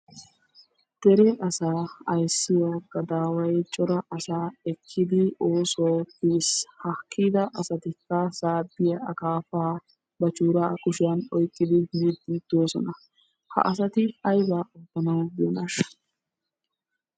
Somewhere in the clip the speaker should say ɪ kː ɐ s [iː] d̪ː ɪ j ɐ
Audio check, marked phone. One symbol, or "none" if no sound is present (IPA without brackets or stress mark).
aː